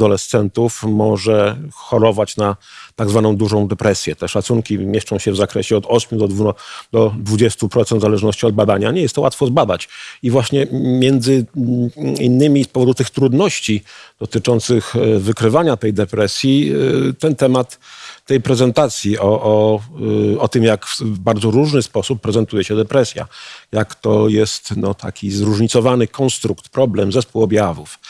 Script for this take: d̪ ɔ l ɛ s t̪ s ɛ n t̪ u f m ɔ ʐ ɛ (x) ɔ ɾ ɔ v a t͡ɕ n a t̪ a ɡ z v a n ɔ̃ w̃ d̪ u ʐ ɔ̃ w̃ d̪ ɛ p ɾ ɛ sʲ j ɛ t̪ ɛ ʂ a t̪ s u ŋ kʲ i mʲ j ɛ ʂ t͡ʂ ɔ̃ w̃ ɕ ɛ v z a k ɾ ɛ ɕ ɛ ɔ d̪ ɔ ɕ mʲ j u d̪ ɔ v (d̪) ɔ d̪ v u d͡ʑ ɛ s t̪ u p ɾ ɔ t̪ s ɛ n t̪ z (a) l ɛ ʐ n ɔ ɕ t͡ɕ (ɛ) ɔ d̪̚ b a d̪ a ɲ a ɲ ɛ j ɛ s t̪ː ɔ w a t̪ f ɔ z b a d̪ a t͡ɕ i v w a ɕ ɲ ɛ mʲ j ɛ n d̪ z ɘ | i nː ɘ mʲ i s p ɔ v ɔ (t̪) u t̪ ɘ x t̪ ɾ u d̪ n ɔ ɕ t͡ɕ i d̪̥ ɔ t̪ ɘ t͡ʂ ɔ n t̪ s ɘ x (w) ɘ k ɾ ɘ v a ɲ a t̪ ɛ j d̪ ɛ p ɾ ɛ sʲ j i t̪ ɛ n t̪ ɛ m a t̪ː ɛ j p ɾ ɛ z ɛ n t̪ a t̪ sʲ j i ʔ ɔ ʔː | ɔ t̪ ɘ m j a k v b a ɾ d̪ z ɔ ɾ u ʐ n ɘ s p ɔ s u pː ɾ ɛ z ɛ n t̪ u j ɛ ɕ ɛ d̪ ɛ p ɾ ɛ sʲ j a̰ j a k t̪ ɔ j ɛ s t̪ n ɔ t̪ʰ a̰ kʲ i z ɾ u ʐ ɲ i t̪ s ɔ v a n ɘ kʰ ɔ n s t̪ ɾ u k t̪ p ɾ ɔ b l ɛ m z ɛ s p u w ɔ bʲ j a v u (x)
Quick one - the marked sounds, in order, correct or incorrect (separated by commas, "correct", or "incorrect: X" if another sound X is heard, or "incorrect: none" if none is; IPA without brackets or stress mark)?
correct, correct, correct, incorrect: i, incorrect: d̪, incorrect: v, incorrect: f